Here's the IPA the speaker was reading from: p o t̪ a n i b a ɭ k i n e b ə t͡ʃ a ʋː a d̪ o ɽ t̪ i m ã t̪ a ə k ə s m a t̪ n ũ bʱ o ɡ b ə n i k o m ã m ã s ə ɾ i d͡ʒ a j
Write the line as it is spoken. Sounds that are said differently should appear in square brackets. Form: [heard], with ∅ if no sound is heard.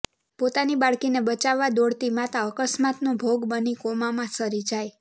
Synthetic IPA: p o t̪ a n i b a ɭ k i n e b ə t͡ʃ a ʋː a d̪ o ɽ t̪ i m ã t̪ a ə k ə s m a t̪ n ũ bʱ o ɡ b ə n i k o m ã m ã s ə ɾ i d͡ʒ a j